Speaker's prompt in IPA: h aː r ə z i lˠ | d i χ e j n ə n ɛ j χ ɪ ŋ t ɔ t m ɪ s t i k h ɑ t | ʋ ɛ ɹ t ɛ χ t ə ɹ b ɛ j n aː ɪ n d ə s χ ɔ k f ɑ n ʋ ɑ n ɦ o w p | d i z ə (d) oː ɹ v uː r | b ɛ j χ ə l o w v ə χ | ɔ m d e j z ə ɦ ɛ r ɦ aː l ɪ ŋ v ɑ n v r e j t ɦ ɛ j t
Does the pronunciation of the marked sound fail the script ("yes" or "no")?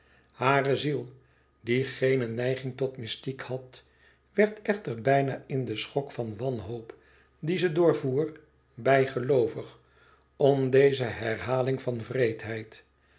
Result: no